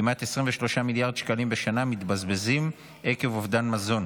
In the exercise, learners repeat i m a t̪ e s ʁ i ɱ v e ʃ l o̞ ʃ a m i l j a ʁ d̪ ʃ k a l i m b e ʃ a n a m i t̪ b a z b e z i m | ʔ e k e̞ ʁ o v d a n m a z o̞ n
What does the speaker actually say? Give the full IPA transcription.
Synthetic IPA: i m a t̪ e s ʁ i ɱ v e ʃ l o̞ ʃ a m i l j a ʁ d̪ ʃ k a l i m b e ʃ a n a m i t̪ b a z b e z i m | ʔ e k e̞ v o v d a n m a z o̞ n